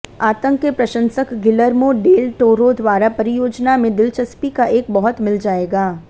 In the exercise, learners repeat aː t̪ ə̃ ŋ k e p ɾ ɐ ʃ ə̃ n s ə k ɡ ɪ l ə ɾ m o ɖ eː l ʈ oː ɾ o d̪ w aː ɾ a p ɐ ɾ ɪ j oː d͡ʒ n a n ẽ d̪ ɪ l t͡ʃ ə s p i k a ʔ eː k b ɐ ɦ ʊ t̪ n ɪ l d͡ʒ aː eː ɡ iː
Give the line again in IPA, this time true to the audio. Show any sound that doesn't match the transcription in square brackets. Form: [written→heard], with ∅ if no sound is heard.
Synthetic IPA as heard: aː t̪ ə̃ ŋ k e p ɾ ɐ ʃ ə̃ n s ə k ɡ ɪ l ə ɾ m o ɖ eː l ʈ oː ɾ o d̪ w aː ɾ a p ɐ ɾ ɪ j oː d͡ʒ n a [n→m] ẽ d̪ ɪ l t͡ʃ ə s p i k a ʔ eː k b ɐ ɦ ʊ t̪ [n→m] ɪ l d͡ʒ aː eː ɡ [iː→aː]